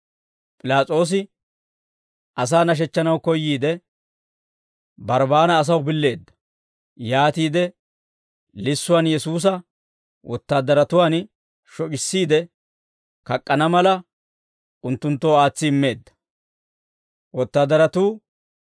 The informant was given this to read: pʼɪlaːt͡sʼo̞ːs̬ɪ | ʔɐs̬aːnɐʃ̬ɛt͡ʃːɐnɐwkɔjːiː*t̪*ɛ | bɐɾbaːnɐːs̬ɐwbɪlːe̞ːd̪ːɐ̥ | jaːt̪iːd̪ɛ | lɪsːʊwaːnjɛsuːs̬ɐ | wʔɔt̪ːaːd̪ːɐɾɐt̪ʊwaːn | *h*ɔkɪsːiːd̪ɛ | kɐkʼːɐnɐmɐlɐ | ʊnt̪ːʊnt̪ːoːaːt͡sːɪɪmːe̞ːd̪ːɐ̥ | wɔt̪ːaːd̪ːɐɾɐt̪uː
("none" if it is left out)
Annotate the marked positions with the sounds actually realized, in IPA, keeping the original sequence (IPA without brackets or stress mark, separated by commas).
d̪, ʃ